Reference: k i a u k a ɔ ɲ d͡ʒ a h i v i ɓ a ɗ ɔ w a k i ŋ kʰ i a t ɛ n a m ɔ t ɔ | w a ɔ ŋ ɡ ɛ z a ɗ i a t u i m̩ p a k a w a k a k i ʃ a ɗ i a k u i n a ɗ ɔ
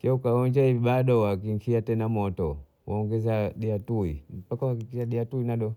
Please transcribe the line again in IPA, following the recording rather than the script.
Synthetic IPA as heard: k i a u k a ɔ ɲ d͡ʒ a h i v i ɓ a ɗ ɔ w a k i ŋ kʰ i a t ɛ n a m ɔ t ɔ | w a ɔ ŋ ɡ ɛ z a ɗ i a t u i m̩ p a k a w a k i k i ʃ a ɗ i a t u i n a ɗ ɔ